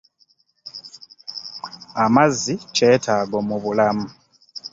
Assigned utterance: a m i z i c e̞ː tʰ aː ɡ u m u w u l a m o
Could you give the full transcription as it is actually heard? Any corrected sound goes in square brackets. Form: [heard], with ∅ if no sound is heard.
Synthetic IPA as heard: a m [a] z i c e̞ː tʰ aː ɡ [o] m u [β] u l a m [u]

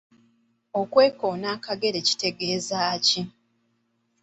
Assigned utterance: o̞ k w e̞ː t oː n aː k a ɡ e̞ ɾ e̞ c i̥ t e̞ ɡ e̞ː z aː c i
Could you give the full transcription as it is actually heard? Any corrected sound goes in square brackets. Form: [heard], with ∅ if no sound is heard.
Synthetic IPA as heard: o̞ k w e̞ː [k] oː n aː k a ɡ e̞ ɾ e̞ c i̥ t e̞ ɡ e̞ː z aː c i

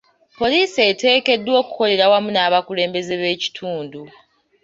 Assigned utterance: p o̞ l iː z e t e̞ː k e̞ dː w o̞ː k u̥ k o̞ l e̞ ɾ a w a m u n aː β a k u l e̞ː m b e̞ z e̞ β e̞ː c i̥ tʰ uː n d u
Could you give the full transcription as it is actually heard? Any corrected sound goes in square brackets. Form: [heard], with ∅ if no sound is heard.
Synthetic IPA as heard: p o̞ l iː [s] e t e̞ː k e̞ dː w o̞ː k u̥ k o̞ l e̞ ɾ a w a m u n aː β a k u l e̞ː m b e̞ z e̞ β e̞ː c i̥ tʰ uː n d u

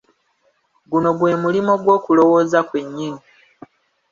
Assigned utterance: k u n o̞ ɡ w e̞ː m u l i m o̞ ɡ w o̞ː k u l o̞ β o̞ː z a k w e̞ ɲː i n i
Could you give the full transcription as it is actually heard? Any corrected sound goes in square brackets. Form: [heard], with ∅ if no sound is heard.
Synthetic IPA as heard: [ɡ] u n o̞ ɡ w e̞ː m u l i m o̞ ɡ w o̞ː k u l o̞ [w] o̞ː z a k w e̞ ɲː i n i

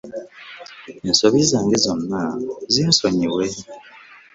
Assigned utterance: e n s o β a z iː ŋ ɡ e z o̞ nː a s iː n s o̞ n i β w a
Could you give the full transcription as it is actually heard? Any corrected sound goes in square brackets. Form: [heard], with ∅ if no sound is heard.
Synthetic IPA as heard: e n s o β [i] z [aː] ŋ ɡ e z o̞ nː a [z] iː n s o̞ [ɲ] i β w [e]

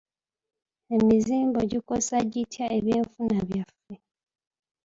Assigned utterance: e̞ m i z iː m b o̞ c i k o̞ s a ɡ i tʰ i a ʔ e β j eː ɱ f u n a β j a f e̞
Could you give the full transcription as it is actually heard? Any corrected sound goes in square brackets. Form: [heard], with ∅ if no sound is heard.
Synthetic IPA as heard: e̞ m i z iː m b o̞ [ɟ] i k o̞ s a [ɟ] i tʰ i a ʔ e β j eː ɱ f u n a β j a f e̞

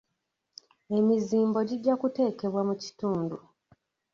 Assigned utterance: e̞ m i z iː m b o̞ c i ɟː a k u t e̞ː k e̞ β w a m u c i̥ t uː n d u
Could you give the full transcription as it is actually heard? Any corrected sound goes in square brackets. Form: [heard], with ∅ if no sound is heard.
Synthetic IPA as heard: e̞ m i z iː m b o̞ [ɟ] i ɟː a k u t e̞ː k e̞ β w a m u c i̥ t uː n d u

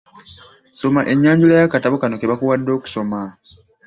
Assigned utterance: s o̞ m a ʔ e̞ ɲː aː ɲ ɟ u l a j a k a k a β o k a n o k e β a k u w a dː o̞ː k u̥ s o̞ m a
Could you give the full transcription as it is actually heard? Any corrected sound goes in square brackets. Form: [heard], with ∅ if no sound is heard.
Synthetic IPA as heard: s o̞ m a ʔ e̞ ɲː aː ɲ ɟ u l a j a k a [t] a β o k a n o k e β a k u w a dː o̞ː k u̥ s o̞ m a

